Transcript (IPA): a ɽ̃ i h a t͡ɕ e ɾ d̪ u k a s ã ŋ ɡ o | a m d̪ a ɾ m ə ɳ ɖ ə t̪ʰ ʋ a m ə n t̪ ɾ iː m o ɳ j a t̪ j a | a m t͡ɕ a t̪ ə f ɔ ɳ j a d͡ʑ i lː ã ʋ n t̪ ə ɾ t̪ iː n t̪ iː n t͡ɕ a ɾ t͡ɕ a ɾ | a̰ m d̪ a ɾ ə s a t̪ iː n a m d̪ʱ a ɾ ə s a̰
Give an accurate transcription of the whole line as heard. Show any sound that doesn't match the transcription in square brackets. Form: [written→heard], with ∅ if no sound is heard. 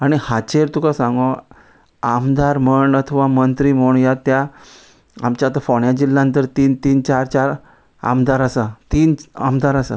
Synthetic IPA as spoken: a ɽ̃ i h a t͡ɕ e ɾ [d̪→t̪] u k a s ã ŋ ɡ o | a m d̪ a ɾ m ə ɳ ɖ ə t̪ʰ ʋ a m ə n t̪ ɾ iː m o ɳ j a t̪ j a | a m t͡ɕ a t̪ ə f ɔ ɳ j a d͡ʑ i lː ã [ʋ→∅] n t̪ ə ɾ t̪ iː n t̪ iː n t͡ɕ a ɾ t͡ɕ a ɾ | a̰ m d̪ a ɾ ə s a t̪ iː n a m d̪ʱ a ɾ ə s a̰